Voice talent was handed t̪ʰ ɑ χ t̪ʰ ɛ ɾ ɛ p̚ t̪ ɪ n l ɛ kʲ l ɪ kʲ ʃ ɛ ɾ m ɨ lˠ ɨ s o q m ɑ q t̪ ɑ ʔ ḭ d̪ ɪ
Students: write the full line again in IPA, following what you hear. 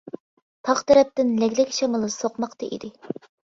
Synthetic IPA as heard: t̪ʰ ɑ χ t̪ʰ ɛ ɾ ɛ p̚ t̪ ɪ n l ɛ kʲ l ɪ kʲ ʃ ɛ m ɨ lˠ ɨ s o q m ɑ q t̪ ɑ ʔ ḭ d̪ ɪ